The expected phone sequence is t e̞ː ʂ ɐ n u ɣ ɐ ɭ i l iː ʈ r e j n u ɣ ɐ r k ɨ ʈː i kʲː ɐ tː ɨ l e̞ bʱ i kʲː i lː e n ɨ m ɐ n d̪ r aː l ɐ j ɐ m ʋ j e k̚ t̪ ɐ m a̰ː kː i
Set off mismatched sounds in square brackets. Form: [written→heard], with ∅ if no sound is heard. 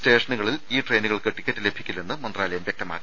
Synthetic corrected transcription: t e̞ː ʂ ɐ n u ɣ ɐ ɭ i l iː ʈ r e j n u ɣ ɐ [r→ɭ] k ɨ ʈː i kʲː ɐ tː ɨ l e̞ bʱ i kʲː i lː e [n→nː] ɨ m ɐ n d̪ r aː l ɐ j ɐ m ʋ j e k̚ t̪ ɐ m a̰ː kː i